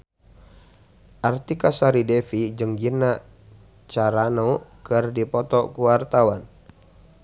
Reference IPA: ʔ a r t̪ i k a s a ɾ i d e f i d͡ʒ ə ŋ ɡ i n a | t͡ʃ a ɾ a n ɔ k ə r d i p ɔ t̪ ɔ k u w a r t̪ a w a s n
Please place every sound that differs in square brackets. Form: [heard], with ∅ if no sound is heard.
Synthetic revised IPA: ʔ a r t̪ i k a s a ɾ i d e f i d͡ʒ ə ŋ ɡ i n a | t͡ʃ a ɾ a n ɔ k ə r d i p ɔ t̪ ɔ k u w a r t̪ a w a [∅] n